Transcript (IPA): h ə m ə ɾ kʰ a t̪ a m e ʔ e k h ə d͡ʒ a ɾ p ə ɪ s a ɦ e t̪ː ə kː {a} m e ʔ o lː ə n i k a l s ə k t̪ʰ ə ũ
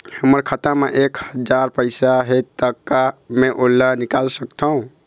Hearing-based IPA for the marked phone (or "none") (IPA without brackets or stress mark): a